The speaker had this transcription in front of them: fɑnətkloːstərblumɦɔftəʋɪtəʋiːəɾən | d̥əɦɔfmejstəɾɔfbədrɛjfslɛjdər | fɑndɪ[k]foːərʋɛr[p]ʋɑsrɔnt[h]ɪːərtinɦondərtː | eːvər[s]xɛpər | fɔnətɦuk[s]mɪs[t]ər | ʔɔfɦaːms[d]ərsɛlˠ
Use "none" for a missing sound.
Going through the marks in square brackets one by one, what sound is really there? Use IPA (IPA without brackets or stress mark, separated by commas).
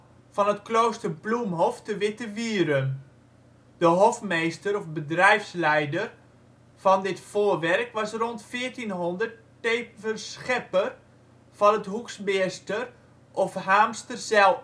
t, k, f, s, s, t, t